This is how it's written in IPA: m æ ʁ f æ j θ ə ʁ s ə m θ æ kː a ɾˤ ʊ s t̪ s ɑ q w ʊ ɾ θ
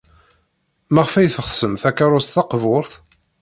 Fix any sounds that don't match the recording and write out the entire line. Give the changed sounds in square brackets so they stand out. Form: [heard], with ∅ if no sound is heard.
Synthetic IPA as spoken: m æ ʁ f æ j θ ə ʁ s ə m θ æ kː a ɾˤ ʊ s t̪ [θ] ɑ q [v] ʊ ɾ θ